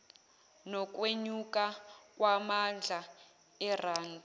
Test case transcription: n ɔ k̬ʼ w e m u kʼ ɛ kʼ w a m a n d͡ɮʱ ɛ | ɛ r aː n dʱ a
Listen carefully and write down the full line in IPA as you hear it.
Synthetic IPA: n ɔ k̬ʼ w e ɲ u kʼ a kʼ w a m a n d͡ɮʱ a | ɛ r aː n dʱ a